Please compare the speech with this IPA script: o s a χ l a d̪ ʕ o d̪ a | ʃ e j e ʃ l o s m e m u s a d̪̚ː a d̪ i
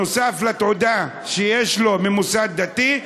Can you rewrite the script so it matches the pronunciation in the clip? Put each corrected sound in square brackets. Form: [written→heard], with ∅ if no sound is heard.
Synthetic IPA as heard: o s a [χ→f] l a [d̪→t̪] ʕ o d̪ a | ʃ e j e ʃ l o [s→∅] m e m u s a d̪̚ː a [d̪→t̪] i